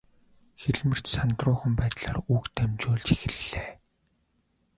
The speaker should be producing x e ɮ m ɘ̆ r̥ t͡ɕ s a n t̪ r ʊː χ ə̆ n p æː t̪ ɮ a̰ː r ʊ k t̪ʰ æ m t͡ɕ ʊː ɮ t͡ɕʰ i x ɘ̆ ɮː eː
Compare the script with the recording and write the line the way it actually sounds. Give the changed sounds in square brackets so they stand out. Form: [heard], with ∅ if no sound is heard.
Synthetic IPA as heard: x e ɮ m ɘ̆ r̥ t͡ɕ s a n t̪ r ʊː χ ə̆ [m] p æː t̪ ɮ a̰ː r [u] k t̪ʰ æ m t͡ɕ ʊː ɮ [t͡ɕ] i x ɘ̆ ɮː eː